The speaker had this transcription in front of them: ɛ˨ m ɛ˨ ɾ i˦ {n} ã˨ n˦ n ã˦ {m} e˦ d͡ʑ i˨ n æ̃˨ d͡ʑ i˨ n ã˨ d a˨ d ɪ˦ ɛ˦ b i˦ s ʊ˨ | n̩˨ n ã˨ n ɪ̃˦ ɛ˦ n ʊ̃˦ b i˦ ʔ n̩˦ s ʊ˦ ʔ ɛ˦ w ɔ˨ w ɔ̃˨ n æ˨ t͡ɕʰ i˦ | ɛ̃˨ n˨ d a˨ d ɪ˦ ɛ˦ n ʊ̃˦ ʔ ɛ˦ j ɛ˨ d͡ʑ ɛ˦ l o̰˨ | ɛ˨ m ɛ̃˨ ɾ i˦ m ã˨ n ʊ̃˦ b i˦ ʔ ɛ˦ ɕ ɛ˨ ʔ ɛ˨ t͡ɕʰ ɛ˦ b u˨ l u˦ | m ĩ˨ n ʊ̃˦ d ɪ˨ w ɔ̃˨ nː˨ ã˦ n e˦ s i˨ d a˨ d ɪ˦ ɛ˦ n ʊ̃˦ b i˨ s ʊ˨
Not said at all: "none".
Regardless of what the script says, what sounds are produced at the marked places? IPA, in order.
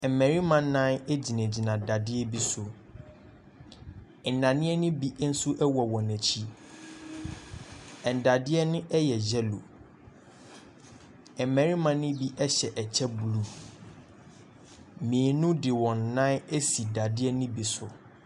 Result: m, n

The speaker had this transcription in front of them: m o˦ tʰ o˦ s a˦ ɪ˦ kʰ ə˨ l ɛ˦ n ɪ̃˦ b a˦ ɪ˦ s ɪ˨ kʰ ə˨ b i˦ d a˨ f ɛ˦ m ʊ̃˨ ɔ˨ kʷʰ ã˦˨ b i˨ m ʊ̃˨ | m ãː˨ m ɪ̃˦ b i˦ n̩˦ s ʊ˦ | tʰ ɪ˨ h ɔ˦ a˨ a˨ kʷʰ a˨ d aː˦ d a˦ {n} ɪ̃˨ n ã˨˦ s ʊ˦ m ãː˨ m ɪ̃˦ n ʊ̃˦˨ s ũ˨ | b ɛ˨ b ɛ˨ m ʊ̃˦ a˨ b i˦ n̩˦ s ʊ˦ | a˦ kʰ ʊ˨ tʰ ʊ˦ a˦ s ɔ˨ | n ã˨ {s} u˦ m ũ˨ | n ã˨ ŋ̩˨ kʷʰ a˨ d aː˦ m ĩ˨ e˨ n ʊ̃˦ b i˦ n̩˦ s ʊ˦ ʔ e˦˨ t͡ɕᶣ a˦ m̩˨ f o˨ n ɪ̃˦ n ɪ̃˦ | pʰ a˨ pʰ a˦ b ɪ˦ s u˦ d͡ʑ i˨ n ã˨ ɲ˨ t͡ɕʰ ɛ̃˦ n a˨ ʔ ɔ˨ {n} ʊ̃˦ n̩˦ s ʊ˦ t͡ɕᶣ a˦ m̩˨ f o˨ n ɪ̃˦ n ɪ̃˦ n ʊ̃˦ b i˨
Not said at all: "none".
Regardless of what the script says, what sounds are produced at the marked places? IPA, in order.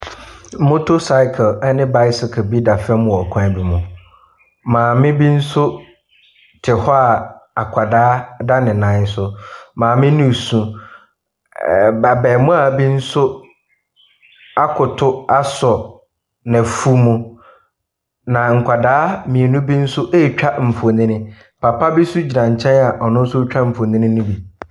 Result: n, f, n

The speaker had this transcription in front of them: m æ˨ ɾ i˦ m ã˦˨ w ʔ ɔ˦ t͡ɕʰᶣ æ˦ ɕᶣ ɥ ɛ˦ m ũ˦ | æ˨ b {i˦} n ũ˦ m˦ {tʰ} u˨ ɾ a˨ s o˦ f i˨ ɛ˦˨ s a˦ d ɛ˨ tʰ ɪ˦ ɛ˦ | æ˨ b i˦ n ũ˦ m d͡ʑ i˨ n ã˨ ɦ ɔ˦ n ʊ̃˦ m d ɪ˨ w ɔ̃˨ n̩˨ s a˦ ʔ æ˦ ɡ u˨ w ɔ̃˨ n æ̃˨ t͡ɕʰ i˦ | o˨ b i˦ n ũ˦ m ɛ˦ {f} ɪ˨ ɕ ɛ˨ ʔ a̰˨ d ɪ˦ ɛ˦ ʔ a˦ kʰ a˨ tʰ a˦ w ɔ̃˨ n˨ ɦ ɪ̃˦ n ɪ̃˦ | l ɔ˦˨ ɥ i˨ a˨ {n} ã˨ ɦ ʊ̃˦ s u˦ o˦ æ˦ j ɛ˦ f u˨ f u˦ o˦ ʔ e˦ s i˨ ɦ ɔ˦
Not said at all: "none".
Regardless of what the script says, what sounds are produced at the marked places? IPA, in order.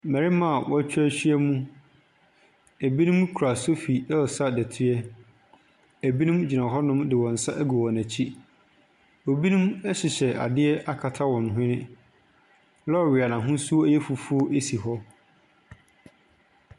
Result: i˦, kʰ, ɕ, n

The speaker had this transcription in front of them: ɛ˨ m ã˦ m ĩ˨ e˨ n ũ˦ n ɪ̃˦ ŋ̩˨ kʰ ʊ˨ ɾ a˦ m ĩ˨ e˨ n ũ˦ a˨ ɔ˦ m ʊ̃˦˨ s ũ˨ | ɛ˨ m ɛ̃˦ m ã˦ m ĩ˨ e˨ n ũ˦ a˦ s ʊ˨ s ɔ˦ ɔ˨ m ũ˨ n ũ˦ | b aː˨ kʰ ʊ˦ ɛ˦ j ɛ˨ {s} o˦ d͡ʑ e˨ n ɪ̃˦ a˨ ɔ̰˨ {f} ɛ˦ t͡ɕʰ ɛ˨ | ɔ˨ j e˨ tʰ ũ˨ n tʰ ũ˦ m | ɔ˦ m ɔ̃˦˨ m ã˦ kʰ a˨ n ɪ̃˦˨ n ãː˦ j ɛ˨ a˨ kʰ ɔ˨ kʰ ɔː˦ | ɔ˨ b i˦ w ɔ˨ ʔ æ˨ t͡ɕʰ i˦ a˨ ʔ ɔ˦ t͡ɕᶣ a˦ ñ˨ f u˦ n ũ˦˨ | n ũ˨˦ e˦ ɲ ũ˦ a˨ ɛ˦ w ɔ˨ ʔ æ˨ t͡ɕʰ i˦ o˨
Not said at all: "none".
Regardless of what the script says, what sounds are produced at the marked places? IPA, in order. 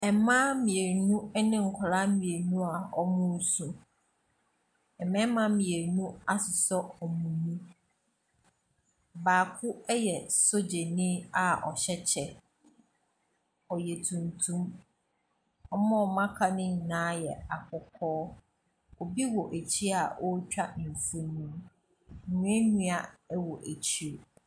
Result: s, ɕ

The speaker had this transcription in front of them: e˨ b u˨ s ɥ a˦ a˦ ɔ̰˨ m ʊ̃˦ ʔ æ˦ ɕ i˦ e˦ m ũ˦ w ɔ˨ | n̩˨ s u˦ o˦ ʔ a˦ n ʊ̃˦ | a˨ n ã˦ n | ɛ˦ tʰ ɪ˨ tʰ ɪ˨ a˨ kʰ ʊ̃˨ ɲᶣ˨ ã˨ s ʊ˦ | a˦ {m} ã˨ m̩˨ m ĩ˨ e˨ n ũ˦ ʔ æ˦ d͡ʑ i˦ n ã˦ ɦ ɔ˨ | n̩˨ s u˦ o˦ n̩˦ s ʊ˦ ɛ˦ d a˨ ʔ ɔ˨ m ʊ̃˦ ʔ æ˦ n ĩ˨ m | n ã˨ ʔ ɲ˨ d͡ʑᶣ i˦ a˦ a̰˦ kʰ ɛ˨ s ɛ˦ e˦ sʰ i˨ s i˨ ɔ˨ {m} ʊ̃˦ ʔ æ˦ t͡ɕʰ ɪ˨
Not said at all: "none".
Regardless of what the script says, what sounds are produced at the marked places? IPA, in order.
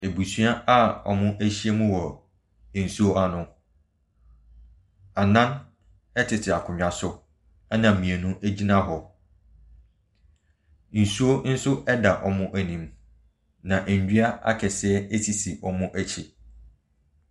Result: n, m

